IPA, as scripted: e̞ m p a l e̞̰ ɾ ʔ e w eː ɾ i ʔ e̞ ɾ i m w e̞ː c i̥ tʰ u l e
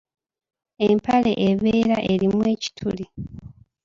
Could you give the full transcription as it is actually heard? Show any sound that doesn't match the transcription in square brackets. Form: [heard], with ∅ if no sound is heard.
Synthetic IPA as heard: e̞ m p a l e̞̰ [∅] ʔ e [β] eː ɾ [a] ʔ e̞ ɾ i m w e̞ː c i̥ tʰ u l [i]